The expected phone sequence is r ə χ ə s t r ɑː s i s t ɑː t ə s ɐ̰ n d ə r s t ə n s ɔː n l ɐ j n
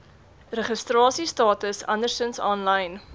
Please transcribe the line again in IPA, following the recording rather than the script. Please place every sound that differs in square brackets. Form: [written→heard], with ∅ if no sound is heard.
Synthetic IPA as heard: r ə χ ə s t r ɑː s i s t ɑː t ə s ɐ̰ n d ə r s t ə n s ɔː n l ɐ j n